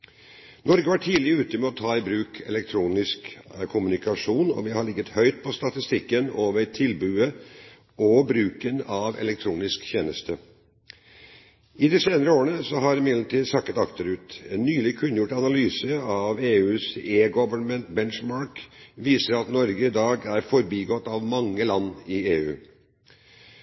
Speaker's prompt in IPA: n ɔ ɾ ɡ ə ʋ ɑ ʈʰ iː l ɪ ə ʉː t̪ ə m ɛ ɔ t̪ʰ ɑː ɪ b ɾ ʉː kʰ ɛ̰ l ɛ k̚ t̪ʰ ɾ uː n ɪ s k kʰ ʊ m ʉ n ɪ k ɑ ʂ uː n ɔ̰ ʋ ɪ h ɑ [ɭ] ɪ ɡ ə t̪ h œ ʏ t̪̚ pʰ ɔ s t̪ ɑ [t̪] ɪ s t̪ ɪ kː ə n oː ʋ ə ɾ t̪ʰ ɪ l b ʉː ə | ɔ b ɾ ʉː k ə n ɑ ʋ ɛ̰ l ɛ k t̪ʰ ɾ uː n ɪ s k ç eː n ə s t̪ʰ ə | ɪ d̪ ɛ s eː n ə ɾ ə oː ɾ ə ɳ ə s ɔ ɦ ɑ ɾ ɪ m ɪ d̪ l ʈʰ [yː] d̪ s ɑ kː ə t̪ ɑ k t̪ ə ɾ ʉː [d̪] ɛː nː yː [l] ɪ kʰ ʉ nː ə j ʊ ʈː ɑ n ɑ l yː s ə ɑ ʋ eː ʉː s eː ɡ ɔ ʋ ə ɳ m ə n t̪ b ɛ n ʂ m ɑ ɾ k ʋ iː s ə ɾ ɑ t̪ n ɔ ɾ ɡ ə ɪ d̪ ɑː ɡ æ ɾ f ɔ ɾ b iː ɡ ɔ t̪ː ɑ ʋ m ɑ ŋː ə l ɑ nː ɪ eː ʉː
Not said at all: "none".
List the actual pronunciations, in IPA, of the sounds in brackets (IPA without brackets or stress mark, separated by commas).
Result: ɭ, t̪, iː, t̪, l